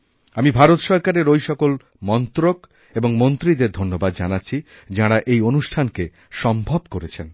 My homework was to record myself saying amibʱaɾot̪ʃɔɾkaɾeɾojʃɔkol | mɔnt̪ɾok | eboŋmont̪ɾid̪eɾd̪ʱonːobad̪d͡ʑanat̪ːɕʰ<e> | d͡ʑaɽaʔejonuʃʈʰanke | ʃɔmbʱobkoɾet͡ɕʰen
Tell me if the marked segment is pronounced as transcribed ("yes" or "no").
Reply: no